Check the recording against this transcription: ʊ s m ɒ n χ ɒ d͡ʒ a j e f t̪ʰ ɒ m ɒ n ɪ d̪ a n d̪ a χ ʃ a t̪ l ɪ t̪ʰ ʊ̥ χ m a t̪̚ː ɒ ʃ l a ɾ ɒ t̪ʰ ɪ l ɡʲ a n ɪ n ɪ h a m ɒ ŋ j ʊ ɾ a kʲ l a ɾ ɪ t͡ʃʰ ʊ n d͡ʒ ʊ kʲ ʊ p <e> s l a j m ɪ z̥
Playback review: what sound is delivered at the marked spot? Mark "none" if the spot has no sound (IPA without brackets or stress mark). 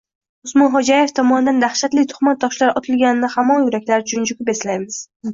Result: e